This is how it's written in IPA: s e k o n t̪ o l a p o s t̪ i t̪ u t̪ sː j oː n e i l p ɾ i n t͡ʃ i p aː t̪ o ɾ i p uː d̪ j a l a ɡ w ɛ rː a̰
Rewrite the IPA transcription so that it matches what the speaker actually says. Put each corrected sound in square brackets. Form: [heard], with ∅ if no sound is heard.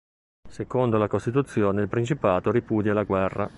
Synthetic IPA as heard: s e k o n [d̪] o l a [k] o s t̪ i t̪ u t̪ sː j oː n e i l p ɾ i n t͡ʃ i p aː t̪ o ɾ i p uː d̪ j a l a ɡ w ɛ rː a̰